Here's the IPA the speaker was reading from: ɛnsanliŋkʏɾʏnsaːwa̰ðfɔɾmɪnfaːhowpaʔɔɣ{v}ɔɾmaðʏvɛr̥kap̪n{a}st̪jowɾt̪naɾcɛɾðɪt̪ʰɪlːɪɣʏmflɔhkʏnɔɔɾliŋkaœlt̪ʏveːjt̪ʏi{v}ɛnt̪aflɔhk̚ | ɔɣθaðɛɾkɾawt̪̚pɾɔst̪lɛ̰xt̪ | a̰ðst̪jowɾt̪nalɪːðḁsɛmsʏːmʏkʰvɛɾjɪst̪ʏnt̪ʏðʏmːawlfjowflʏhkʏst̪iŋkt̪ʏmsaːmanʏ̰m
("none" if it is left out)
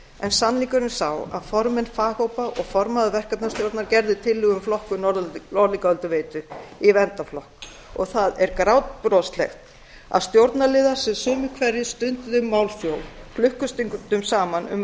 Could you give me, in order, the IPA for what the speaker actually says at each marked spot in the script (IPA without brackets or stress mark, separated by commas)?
f, a, v